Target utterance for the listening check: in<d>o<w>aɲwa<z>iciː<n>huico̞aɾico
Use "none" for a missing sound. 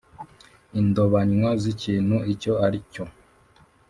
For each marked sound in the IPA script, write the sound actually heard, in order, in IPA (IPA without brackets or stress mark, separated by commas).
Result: d, β, z, n